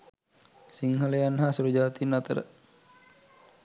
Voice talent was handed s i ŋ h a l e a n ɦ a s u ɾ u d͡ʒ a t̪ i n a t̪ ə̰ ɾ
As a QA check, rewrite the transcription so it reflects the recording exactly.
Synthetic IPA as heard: s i ŋ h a l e a n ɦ a s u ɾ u d͡ʒ a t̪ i n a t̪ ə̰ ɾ